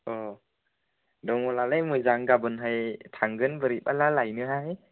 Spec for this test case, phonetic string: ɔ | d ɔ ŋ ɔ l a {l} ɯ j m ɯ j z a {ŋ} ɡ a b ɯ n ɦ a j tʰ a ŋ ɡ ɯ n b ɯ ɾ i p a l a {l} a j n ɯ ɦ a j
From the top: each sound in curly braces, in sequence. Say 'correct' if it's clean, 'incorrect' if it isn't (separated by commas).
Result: correct, correct, correct